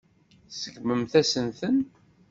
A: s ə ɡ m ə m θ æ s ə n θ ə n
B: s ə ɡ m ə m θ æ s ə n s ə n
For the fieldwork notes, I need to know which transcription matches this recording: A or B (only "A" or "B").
A